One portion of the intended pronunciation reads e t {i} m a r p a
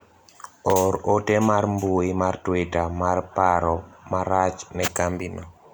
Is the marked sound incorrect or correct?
incorrect